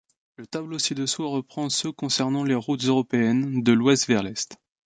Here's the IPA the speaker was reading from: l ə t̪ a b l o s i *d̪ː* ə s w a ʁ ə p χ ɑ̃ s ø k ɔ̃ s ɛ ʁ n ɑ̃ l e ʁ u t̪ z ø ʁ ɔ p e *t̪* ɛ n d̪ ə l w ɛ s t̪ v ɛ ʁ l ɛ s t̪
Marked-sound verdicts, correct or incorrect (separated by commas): incorrect, incorrect